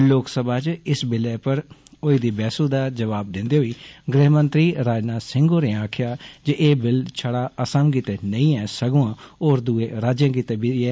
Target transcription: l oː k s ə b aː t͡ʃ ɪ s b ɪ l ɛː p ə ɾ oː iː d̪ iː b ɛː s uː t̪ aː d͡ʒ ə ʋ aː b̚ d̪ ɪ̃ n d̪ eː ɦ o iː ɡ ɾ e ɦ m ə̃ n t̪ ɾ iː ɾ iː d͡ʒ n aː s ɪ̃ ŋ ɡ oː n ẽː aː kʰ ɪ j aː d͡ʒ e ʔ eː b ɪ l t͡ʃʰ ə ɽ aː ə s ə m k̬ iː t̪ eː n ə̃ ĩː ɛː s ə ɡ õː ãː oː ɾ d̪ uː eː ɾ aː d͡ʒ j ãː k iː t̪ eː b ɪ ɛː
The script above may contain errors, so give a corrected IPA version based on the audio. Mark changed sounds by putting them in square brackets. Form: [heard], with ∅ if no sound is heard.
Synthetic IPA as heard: l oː k s ə b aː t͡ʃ ɪ s b ɪ l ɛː p ə ɾ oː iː d̪ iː b ɛː s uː [d̪] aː d͡ʒ ə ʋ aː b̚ d̪ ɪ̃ n d̪ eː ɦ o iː ɡ ɾ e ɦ m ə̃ n t̪ ɾ iː ɾ [aː] d͡ʒ n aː s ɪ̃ ŋ ɡ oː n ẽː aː kʰ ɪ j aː d͡ʒ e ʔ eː b ɪ l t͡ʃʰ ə ɽ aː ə s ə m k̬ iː t̪ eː n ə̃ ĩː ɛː s ə ɡ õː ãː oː ɾ d̪ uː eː ɾ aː d͡ʒ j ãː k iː t̪ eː b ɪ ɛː

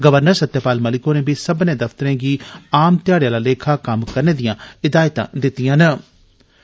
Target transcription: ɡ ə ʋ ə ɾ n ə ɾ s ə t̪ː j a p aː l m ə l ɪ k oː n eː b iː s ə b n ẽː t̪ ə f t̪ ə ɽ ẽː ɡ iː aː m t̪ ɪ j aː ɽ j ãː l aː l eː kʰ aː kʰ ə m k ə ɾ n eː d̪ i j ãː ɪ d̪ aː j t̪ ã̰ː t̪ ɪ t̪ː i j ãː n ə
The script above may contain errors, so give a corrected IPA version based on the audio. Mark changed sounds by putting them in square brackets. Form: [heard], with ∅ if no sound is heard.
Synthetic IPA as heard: ɡ ə ʋ ə ɾ n ə ɾ s ə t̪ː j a p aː l m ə l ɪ k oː n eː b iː s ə b n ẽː [d̪] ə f t̪ ə [ɾ] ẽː ɡ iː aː m t̪ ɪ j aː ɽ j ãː l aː l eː kʰ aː [k] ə m k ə ɾ n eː d̪ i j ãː ɪ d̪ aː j t̪ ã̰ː [d̪] ɪ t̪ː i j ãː n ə

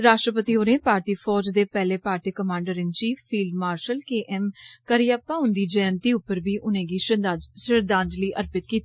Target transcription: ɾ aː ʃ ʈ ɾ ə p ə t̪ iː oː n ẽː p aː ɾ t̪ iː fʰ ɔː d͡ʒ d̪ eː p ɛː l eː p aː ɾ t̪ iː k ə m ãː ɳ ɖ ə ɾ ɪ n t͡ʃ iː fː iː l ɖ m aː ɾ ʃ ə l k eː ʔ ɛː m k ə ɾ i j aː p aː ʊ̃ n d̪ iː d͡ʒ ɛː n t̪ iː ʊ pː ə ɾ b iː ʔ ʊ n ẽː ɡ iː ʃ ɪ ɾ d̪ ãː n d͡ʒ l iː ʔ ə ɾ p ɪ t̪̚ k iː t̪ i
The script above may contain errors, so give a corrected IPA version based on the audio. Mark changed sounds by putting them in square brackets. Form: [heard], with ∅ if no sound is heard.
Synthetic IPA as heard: ɾ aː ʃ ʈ ɾ ə p ə t̪ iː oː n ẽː p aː ɾ t̪ iː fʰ ɔː d͡ʒ d̪ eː p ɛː l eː p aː ɾ t̪ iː k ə m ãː ɳ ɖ ə ɾ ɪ n t͡ʃ iː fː iː l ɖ m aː ɾ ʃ ə l k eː ʔ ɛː m k ə ɾ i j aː p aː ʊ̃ n d̪ iː d͡ʒ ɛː n t̪ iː ʊ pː ə ɾ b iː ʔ ʊ n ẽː ɡ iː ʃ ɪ ɾ d̪ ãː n d͡ʒ l iː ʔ ə ɾ p ɪ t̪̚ k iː t̪ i

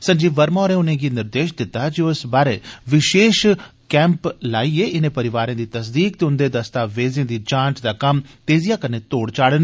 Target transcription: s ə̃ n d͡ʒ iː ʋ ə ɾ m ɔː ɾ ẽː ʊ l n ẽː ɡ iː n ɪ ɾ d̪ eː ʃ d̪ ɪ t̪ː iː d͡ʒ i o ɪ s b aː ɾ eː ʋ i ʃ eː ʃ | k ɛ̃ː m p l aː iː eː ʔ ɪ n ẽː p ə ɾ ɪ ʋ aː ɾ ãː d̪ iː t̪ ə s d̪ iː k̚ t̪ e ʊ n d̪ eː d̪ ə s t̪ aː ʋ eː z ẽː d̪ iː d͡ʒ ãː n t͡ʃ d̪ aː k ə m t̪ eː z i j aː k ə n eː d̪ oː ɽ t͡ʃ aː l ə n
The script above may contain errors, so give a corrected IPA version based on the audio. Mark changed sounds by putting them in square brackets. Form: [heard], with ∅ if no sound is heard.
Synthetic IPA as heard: s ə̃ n d͡ʒ iː ʋ ə ɾ m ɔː ɾ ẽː ʊ [∅] n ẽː ɡ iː n ɪ ɾ d̪ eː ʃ d̪ ɪ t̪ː [aː] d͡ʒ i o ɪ s b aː ɾ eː ʋ [ɪ] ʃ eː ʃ | k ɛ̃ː m p l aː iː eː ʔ ɪ n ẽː p ə ɾ ɪ ʋ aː ɾ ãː d̪ iː t̪ ə s d̪ iː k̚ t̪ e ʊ n d̪ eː d̪ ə s t̪ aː ʋ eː z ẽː d̪ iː d͡ʒ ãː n t͡ʃ d̪ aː k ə m t̪ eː z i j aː k ə n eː [t̪] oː ɽ t͡ʃ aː [ɽ] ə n

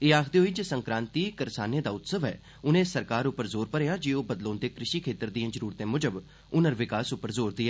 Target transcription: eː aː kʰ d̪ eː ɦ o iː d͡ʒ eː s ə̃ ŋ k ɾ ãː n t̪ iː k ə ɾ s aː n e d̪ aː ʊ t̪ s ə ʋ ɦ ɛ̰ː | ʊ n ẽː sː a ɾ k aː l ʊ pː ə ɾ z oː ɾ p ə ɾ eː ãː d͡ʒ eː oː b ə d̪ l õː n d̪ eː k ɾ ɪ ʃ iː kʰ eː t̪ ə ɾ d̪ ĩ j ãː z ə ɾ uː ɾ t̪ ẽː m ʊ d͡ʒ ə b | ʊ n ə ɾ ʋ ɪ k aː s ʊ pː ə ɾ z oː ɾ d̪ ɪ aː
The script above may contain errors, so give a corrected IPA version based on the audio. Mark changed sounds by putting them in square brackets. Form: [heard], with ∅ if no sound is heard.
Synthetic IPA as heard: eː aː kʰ d̪ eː ɦ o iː d͡ʒ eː s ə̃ ŋ k ɾ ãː n t̪ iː k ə ɾ s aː n e d̪ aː ʊ t̪ s ə ʋ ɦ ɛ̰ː | ʊ n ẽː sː [ə] ɾ k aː [ɾ] ʊ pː ə ɾ z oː ɾ p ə ɾ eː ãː d͡ʒ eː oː b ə d̪ l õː n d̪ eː k ɾ ɪ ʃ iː kʰ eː t̪ ə ɾ d̪ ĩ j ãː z ə ɾ uː ɾ t̪ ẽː m ʊ d͡ʒ ə b | ʊ n ə ɾ ʋ ɪ k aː s ʊ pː ə ɾ z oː ɾ d̪ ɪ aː

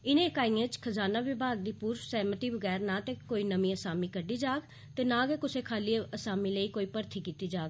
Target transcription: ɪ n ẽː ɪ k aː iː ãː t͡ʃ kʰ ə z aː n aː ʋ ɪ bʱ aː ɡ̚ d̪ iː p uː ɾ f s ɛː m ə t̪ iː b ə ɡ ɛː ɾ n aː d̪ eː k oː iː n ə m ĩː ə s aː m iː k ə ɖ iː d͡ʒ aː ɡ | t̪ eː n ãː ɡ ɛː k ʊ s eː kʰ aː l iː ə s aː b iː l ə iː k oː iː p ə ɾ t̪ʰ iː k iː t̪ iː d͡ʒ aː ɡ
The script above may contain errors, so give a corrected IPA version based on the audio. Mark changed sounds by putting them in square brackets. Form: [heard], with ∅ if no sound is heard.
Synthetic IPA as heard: ɪ n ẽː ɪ k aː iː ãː t͡ʃ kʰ ə z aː n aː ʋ ɪ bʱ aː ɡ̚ d̪ iː p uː ɾ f s ɛː m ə t̪ iː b ə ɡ ɛː ɾ n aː [t̪] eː k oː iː n ə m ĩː ə s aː m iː k ə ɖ iː d͡ʒ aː ɡ | t̪ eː n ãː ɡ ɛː k ʊ s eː kʰ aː l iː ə s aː [m] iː l ə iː k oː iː p ə ɾ t̪ʰ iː k iː t̪ iː d͡ʒ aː ɡ

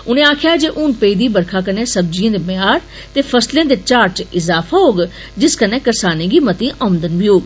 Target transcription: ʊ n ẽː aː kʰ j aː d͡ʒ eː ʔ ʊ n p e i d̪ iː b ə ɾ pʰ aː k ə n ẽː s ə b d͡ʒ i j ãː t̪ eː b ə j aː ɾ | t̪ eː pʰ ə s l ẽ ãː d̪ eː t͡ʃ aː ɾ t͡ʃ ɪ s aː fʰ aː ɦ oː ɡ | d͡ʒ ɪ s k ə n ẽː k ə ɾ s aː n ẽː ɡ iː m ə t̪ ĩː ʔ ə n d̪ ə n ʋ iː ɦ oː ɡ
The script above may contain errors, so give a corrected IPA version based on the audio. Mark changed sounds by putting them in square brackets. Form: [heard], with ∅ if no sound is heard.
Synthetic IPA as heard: ʊ n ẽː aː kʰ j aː d͡ʒ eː ʔ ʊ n p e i d̪ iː b ə ɾ [kʰ] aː k ə n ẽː s ə b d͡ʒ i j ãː [d̪] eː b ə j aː ɾ | t̪ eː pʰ ə s l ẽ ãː d̪ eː t͡ʃ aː ɾ t͡ʃ ɪ [z] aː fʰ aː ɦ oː ɡ | d͡ʒ ɪ s k ə n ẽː k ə ɾ s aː n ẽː ɡ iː m ə t̪ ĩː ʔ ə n d̪ ə n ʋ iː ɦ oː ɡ

